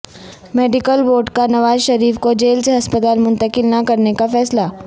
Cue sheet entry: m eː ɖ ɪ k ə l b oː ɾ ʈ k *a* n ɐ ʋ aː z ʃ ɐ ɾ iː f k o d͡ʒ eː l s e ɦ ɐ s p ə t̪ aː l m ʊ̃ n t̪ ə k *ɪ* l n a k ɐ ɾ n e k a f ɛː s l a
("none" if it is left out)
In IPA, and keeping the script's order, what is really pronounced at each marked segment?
a, ɪ

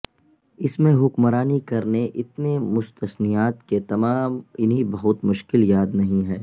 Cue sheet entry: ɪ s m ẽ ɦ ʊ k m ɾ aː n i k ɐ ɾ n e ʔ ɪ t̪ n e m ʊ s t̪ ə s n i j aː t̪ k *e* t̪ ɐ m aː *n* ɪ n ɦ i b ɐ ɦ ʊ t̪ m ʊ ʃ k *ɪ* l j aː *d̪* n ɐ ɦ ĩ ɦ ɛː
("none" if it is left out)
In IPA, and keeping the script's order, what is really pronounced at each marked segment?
e, m, ɪ, d̪

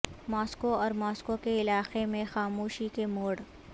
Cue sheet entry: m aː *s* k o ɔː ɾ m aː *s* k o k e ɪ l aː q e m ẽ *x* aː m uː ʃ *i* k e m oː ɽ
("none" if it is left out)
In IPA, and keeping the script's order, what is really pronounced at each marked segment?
s, s, x, i

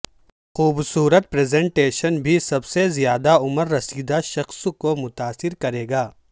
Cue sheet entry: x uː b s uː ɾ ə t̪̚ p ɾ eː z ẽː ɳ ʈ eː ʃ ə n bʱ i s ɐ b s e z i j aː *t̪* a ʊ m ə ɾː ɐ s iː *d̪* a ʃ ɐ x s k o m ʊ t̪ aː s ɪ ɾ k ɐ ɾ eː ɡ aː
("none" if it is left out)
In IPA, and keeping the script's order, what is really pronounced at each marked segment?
d̪, d̪

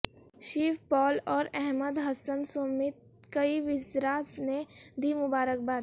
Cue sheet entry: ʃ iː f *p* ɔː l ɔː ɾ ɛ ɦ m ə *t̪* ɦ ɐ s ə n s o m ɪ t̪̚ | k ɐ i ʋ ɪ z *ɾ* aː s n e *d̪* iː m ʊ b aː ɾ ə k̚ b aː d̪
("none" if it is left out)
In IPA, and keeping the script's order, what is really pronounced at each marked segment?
p, d̪, ɾ, d̪

